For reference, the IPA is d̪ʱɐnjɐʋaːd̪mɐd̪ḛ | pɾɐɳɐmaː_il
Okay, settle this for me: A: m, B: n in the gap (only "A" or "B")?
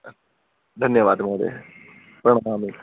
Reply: A